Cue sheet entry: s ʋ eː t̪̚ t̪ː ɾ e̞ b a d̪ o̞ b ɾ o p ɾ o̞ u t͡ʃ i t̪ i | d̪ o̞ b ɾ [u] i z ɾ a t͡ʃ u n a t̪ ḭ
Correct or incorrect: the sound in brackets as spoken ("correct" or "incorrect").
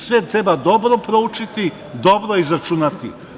incorrect